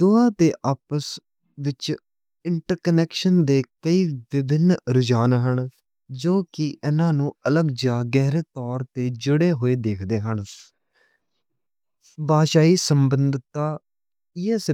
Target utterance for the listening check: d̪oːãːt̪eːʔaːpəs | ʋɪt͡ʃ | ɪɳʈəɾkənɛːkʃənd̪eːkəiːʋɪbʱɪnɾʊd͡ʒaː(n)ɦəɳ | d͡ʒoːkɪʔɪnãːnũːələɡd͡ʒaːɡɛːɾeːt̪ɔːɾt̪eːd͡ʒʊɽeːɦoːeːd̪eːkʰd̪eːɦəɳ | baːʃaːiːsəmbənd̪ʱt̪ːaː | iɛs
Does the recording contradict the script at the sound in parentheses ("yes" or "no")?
no